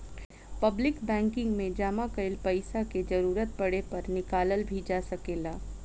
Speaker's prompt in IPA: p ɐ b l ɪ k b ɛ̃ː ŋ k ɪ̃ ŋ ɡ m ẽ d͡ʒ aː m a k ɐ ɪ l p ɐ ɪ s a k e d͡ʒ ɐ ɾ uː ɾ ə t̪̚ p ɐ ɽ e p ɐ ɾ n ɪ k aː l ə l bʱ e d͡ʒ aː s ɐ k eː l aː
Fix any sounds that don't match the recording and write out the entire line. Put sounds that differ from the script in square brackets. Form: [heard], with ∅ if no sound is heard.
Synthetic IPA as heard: p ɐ b l ɪ k b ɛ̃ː ŋ k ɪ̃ ŋ ɡ m ẽ d͡ʒ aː m a k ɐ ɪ l p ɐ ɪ s a k e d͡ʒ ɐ ɾ uː ɾ ə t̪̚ p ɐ ɽ e p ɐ ɾ n ɪ k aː l ə l bʱ [i] d͡ʒ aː s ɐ k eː l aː